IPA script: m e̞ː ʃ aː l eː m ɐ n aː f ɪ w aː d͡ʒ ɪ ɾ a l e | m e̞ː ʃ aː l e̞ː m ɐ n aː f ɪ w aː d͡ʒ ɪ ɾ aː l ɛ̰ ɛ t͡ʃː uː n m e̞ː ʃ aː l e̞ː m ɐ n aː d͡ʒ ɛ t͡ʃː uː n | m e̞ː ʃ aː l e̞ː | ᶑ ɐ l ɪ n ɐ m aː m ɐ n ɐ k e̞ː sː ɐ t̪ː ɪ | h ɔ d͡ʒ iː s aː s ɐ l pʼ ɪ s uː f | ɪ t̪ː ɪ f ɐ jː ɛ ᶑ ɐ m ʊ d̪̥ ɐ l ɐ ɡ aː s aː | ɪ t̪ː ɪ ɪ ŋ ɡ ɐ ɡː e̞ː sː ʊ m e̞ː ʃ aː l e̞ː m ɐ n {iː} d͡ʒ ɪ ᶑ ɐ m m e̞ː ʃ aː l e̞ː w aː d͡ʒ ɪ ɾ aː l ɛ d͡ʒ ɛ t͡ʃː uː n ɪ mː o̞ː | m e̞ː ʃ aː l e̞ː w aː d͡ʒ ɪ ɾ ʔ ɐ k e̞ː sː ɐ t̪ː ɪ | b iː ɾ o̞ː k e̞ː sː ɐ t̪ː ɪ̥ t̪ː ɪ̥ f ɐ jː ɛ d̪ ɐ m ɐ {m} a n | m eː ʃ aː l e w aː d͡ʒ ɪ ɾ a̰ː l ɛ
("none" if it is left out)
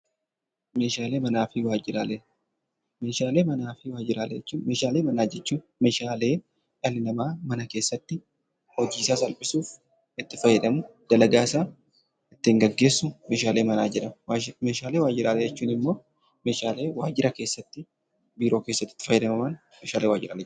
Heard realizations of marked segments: aː, m

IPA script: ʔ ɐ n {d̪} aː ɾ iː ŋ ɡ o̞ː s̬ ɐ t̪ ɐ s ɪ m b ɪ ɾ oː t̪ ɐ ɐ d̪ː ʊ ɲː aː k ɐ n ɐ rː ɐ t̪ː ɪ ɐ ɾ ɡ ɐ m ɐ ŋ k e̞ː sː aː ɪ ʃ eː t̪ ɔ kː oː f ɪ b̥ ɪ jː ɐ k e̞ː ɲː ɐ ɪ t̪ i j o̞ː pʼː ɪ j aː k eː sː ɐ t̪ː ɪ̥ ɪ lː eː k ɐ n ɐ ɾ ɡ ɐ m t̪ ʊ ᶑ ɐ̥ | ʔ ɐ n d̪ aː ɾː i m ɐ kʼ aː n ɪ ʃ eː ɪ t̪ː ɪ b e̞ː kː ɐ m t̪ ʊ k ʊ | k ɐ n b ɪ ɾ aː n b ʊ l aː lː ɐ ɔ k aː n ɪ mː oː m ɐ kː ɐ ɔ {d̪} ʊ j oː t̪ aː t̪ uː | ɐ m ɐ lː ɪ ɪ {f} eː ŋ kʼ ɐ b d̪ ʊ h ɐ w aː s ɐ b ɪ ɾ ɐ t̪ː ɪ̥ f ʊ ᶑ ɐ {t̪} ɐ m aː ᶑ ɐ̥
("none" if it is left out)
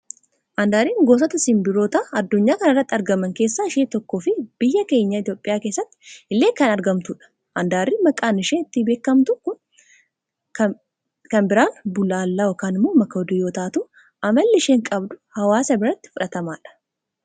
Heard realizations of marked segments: d̪, d̪, ʃ, t̪

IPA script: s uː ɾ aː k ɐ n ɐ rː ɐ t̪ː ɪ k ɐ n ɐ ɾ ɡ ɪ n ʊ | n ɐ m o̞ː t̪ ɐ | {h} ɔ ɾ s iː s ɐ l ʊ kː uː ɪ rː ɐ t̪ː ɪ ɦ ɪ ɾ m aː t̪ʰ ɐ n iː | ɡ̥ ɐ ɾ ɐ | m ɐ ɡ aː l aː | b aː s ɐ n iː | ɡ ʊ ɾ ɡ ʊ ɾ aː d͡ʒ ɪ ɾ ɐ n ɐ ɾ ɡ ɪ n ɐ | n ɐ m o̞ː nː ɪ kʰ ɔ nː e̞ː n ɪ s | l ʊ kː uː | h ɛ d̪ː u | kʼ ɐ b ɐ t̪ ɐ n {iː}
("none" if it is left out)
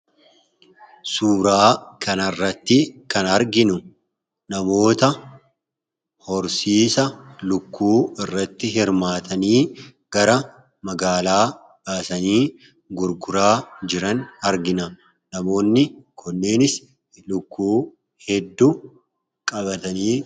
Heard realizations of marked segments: h, iː

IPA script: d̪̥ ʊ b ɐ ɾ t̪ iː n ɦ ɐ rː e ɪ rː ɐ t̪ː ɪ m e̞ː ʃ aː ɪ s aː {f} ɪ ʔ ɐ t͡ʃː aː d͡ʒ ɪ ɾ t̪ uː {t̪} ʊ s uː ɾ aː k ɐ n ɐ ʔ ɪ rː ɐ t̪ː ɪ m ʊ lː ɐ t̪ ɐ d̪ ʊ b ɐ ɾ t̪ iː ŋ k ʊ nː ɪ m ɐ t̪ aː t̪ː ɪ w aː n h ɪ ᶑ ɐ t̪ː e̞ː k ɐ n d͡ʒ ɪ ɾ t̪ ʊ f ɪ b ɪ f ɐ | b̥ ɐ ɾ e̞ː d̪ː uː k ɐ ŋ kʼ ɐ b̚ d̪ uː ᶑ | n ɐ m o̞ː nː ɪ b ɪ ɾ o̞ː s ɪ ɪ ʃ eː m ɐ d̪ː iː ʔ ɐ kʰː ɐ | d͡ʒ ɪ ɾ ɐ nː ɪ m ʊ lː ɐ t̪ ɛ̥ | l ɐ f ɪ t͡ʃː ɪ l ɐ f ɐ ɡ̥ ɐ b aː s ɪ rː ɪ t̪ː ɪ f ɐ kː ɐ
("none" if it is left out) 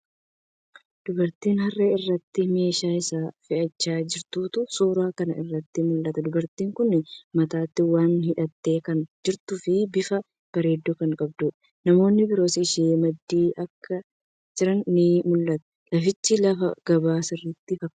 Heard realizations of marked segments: f, t̪

